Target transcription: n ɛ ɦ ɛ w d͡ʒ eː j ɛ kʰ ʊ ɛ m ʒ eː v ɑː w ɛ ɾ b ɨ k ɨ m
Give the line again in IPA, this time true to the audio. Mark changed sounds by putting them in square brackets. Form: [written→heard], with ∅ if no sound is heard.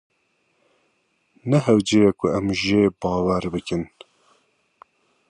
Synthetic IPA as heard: n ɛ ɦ ɛ w d͡ʒ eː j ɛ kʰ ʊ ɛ m ʒ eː [v→b] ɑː w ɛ ɾ b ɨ k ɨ [m→n]